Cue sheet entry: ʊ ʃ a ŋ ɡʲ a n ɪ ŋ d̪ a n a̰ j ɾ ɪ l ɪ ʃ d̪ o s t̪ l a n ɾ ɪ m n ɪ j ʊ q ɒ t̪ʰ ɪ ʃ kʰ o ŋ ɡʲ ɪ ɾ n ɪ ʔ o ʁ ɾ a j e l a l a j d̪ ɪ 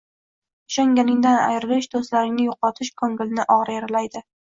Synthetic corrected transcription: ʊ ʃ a ŋ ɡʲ a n ɪ ŋ d̪ a n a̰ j ɾ ɪ l ɪ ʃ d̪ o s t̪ l a ɾ ɪ ŋ n ɪ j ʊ q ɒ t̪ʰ ɪ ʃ kʰ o ŋ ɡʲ ɪ l n ɪ ʔ ɒ ʁ ɾ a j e ɾ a l a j d̪ ɪ

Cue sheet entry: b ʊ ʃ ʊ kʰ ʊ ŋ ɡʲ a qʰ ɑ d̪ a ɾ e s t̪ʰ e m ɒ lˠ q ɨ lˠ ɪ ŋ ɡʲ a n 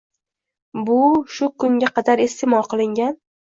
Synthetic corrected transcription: b ʊ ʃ ʊ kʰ ʊ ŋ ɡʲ a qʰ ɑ d̪ a ɾ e s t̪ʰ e m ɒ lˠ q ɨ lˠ ɪ ŋ ɡʲ a n

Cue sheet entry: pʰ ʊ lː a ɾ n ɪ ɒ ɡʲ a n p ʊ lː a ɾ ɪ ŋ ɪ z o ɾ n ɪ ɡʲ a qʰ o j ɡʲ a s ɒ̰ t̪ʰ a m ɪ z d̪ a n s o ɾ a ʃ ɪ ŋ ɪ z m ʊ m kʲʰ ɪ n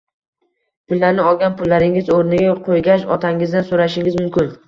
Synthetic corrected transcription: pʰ ʊ lː a ɾ n ɪ ɒ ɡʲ a n p ʊ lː a ɾ ɪ ŋ ɪ z o ɾ n ɪ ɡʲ a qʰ o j ɡʲ a ʃ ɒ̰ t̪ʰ a ŋ ɪ z d̪ a n s o ɾ a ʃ ɪ ŋ ɪ z m ʊ m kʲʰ ɪ n

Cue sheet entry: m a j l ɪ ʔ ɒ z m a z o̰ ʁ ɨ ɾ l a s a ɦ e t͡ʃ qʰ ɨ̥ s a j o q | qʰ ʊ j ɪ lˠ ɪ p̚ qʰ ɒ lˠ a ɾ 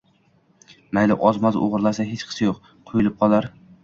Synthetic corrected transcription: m a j l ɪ ʔ ɒ z m a z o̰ ʁ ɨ ɾ l a s a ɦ e t͡ʃ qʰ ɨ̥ s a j o q | qʰ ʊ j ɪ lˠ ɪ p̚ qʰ ɒ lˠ a ɾ

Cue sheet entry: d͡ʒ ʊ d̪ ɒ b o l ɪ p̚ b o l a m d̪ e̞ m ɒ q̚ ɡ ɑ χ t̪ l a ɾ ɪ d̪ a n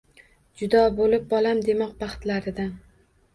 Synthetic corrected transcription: d͡ʒ ʊ d̪ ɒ b o l ɪ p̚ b ɒ l a m d̪ e̞ m ɒ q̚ b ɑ χ t̪ l a ɾ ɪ d̪ a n

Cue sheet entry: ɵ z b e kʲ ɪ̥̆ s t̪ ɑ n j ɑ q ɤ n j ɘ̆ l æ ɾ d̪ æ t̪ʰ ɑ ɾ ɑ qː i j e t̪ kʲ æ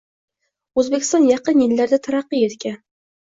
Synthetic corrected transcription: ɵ z b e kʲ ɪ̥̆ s t̪ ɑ n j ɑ q ɤ n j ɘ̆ lː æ ɾ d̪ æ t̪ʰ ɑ ɾ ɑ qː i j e t̪ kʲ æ

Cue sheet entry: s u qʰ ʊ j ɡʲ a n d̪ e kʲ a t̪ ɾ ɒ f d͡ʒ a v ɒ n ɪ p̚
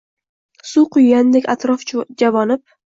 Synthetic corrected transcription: s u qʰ ʊ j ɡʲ a n d̪ e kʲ a t̪ ɾ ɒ f d͡ʒ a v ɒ n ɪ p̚

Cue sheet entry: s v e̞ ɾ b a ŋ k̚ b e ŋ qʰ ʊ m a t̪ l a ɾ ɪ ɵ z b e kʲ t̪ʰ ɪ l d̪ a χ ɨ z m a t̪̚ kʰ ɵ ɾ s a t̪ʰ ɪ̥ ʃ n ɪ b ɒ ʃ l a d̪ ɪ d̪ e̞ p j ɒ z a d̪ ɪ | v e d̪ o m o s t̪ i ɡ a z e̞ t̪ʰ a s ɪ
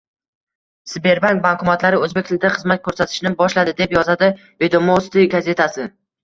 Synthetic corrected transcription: s b e̞ ɾ b a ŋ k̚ b a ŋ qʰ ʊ m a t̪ l a ɾ ɪ ɵ z b e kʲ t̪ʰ ɪ l d̪ a χ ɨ z m a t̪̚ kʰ ɵ ɾ s a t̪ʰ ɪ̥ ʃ n ɪ b ɒ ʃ l a d̪ ɪ d̪ e̞ p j ɒ z a d̪ ɪ | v e d̪ o m o s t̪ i ɡ a z e̞ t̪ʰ a s ɪ

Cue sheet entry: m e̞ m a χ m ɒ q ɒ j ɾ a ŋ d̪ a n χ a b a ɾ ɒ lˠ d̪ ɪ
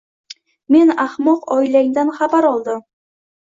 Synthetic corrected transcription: m e̞ n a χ m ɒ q ɒ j l a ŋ d̪ a n χ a b a ɾ ɒ lˠ d̪ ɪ

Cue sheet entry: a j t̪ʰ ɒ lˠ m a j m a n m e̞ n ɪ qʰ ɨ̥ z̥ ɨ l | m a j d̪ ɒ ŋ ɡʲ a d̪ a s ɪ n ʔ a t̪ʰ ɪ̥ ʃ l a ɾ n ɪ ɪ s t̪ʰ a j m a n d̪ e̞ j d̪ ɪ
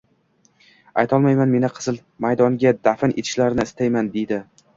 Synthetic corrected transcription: a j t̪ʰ ɒ lˠ m a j m a n m e̞ n ɪ qʰ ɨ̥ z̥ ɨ l | m a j d̪ ɒ ŋ ɡʲ a d̪ a f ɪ n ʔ e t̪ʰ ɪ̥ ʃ l a ɾ n ɪ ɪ s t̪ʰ a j m a n d̪ e̞ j d̪ ɪ

